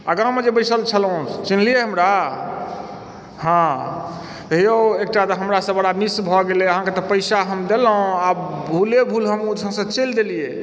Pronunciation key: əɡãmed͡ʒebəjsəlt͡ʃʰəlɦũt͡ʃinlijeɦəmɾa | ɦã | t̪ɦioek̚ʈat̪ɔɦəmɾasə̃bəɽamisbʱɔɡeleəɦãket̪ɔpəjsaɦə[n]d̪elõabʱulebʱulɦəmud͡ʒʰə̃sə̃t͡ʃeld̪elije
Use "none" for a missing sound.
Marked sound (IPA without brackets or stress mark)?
m